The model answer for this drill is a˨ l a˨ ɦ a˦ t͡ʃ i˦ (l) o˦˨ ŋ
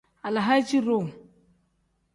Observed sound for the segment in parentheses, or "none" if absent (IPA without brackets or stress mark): ɾ